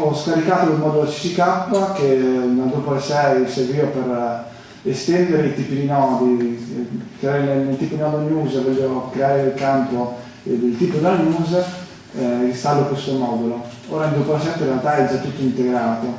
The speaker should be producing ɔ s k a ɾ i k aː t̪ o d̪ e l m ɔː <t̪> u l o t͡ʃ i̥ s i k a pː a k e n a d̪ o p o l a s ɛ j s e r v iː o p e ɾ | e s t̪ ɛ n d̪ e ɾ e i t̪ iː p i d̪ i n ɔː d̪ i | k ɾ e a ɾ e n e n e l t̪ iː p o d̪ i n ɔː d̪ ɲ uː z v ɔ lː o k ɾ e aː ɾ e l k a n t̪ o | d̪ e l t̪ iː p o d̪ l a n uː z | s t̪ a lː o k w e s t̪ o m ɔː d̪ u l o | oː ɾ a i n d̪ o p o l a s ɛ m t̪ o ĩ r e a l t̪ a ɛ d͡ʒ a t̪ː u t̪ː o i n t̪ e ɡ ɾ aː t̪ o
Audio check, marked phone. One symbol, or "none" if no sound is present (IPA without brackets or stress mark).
d̪